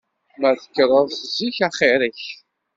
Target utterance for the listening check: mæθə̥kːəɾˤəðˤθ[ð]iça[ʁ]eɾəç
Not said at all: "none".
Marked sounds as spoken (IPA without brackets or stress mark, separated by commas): z, χ